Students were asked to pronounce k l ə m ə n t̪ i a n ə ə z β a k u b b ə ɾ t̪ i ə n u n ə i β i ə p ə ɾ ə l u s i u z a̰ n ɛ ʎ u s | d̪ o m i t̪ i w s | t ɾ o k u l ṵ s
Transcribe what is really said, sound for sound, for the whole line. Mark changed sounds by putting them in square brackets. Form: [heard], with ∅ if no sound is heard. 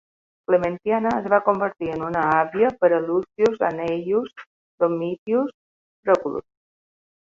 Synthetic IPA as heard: k l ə m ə n t̪ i a n ə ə z β a k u [m] b ə ɾ t̪ i ə n u n ə [a] β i ə p ə ɾ ə l u s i u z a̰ n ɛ ʎ u s | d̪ o m i t̪ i [u] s | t ɾ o k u l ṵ s